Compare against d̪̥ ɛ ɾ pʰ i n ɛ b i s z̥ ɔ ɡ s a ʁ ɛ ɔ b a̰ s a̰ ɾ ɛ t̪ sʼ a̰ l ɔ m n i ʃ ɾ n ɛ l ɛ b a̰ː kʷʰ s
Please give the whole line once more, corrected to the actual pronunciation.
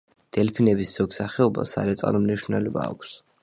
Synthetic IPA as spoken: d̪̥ ɛ l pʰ i n ɛ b i s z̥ ɔ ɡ s a χ ɛ ɔ b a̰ s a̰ ɾ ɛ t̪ sʼ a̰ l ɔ m n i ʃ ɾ n ɛ l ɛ b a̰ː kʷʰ s